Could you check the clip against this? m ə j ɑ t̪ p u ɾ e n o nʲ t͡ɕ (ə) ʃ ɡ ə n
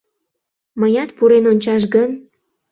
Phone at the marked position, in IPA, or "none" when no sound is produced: ɑ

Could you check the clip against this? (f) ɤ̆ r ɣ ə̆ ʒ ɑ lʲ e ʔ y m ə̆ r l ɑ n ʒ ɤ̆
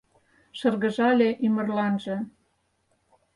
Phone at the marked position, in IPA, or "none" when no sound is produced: ʃ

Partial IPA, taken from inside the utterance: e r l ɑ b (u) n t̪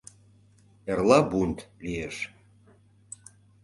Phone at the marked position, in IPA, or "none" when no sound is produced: u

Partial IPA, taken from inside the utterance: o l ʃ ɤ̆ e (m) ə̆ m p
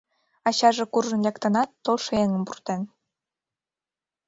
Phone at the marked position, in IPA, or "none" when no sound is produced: ŋ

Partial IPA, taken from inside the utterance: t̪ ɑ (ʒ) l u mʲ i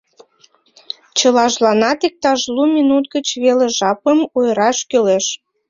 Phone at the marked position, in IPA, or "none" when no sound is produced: ʒ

